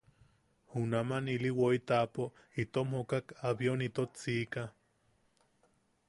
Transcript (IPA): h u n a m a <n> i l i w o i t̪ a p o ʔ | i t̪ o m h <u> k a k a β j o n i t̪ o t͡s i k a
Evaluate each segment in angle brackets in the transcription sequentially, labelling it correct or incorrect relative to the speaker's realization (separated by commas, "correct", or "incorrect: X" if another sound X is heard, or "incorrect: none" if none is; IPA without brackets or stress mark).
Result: correct, incorrect: o